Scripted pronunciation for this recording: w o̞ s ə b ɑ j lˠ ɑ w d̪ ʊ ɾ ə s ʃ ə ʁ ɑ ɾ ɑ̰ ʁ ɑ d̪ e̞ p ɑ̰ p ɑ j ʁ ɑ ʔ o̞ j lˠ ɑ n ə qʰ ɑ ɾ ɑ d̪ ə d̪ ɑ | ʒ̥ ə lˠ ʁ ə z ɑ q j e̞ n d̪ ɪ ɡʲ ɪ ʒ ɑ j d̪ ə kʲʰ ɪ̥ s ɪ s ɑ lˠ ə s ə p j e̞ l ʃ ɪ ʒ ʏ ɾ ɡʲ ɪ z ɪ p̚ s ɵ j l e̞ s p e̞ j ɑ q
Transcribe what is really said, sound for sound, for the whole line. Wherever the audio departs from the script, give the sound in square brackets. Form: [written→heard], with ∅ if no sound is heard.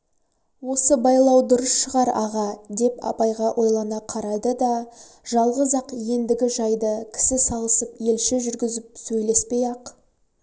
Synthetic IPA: w o̞ s ə b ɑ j lˠ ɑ w d̪ ʊ ɾ ə s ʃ ə ʁ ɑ ɾ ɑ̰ ʁ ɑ d̪ e̞ p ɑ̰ p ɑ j ʁ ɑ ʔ o̞ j lˠ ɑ n [ə→ɑ] qʰ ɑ ɾ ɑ d̪ ə d̪ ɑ | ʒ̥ [ə→ɑ] lˠ ʁ ə z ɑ q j e̞ n d̪ ɪ ɡʲ ɪ ʒ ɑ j d̪ ə kʲʰ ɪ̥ s ɪ s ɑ lˠ ə s ə p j e̞ l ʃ ɪ ʒ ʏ ɾ ɡʲ ɪ z ɪ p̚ s ɵ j l e̞ s p e̞ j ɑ q